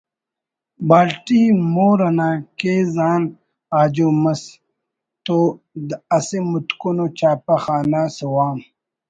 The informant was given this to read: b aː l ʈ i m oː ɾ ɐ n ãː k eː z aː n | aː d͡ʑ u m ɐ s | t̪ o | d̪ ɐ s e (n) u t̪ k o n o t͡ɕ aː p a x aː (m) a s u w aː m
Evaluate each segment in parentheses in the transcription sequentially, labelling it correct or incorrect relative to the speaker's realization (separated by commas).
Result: incorrect, incorrect